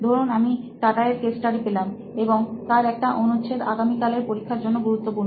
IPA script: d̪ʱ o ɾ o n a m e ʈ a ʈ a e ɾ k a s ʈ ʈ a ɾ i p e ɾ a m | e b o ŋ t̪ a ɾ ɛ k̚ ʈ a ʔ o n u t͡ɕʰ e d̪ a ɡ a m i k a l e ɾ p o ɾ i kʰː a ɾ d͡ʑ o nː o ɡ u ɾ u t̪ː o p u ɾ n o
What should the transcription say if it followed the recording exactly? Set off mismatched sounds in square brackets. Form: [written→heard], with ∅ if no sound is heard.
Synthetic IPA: d̪ʱ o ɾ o n a m [e→i] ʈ a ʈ a e ɾ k [a→e] s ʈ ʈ a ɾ i p e [ɾ→l] a m | e b o ŋ t̪ a ɾ ɛ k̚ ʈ a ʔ o n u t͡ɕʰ e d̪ a ɡ a m i k a l e ɾ p o ɾ i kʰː a ɾ d͡ʑ o nː o ɡ u ɾ u t̪ː o p u ɾ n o